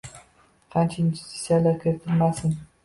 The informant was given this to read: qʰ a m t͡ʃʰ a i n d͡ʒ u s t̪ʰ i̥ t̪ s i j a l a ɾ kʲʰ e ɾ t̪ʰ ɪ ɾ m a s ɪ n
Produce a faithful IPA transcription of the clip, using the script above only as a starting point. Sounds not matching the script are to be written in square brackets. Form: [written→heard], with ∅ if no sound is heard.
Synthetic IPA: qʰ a [m→n] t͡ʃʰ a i n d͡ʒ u s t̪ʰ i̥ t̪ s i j a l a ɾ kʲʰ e ɾ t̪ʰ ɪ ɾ m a s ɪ n